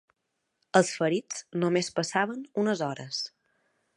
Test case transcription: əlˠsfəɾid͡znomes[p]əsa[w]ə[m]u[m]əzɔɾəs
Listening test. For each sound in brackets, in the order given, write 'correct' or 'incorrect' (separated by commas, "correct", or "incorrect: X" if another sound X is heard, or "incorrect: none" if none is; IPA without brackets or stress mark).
correct, incorrect: β, incorrect: n, incorrect: n